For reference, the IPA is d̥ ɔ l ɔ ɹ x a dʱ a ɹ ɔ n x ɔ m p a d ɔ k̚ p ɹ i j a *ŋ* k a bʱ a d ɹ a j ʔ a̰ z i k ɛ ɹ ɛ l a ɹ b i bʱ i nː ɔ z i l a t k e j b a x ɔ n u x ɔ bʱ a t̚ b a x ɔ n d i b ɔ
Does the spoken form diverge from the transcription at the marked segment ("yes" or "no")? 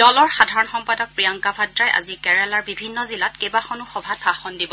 no